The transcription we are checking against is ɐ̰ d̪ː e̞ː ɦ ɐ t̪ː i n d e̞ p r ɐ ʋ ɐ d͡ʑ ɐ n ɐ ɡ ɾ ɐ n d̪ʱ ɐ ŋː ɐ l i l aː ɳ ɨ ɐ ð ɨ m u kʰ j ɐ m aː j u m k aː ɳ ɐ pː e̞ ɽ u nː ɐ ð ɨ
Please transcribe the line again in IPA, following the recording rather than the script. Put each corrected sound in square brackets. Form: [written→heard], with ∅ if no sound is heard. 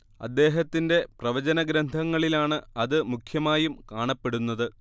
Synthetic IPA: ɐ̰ d̪ː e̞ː ɦ ɐ t̪ː i n d e̞ p r ɐ ʋ ɐ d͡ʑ ɐ n ɐ ɡ ɾ ɐ n d̪ʱ ɐ ŋː ɐ [l→ɭ] i l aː ɳ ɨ ɐ ð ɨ m u kʰ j ɐ m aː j u m k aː ɳ ɐ pː e̞ ɽ u nː ɐ ð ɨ